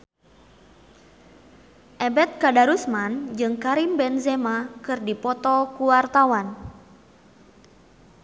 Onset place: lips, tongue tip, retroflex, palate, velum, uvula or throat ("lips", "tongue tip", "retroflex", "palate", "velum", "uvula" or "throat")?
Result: throat